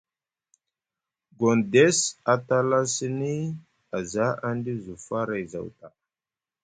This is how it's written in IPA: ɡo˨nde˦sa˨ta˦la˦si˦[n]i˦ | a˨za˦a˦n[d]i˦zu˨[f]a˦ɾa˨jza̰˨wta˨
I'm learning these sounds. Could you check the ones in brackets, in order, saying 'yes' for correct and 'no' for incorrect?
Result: yes, yes, yes

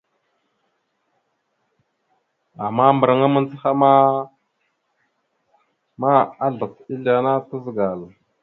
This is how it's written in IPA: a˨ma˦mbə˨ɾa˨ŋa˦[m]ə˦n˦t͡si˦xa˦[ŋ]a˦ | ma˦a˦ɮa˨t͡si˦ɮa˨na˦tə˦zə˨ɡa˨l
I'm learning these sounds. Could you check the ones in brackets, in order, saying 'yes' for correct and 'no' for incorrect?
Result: yes, no

